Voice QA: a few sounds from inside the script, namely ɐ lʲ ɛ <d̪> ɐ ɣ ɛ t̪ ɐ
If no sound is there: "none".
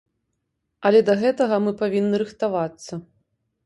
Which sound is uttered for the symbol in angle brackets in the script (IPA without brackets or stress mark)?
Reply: d̪